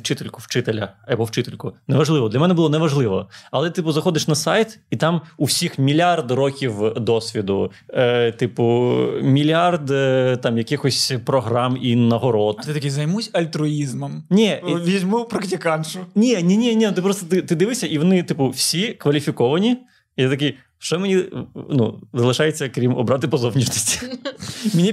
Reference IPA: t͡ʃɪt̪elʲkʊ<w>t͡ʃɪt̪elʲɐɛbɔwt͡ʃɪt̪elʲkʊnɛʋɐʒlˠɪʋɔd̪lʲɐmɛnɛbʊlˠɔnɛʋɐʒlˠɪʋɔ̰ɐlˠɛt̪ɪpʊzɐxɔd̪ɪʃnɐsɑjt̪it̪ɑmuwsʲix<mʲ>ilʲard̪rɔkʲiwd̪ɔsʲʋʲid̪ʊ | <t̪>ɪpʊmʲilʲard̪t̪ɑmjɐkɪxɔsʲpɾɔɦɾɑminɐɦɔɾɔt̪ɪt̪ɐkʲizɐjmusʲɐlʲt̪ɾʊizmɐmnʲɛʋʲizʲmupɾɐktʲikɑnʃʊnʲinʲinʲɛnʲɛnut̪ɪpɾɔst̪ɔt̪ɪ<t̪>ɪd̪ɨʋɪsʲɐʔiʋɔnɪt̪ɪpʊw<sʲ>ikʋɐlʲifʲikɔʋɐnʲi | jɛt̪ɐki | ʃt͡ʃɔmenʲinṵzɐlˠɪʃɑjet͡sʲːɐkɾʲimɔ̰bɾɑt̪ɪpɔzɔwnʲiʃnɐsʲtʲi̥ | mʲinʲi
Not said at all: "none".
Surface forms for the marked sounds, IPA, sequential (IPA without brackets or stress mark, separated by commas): w, mʲ, t̪, t̪, sʲ